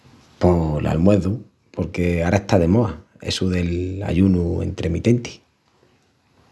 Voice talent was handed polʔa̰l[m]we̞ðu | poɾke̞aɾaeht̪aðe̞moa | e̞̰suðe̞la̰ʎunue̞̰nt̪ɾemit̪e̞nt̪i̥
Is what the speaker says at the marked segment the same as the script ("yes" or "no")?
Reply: yes